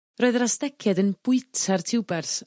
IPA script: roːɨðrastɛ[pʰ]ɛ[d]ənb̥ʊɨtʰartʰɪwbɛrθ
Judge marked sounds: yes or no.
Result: no, yes

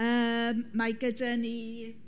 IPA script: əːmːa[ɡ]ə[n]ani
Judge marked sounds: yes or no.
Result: yes, no

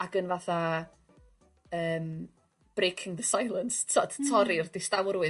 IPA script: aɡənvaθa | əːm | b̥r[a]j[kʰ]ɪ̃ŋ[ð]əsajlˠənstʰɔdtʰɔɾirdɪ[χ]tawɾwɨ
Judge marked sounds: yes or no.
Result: no, yes, yes, no

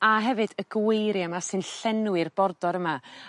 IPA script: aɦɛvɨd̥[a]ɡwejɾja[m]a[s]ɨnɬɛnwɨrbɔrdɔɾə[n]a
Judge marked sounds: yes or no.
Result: no, yes, yes, no

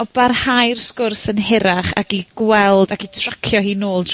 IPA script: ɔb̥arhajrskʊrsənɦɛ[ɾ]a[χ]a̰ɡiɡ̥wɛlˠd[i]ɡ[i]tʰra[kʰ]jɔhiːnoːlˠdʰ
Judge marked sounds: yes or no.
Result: yes, yes, no, yes, yes

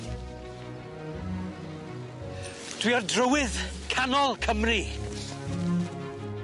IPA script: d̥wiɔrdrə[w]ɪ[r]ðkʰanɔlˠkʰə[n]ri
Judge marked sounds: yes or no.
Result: yes, no, no

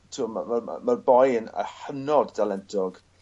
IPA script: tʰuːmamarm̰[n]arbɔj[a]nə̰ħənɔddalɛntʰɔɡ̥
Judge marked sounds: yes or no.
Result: no, no

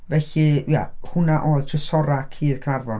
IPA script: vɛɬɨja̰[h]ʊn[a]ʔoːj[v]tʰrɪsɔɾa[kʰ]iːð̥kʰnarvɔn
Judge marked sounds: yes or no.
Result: yes, yes, no, yes

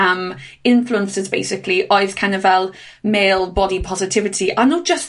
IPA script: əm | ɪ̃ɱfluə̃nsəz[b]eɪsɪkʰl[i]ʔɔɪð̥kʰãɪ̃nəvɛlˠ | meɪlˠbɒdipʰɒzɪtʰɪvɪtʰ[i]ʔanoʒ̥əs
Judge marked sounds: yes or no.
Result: yes, yes, yes

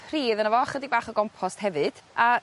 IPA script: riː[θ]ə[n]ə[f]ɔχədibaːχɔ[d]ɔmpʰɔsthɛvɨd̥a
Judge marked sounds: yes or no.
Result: no, yes, no, no

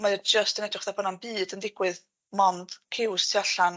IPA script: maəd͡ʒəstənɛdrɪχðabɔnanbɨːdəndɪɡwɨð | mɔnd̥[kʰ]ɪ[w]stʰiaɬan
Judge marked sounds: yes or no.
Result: yes, yes

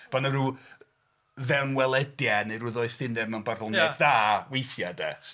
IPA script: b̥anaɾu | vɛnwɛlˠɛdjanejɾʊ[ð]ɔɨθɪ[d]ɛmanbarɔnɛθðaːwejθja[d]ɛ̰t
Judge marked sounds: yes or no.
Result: yes, no, yes

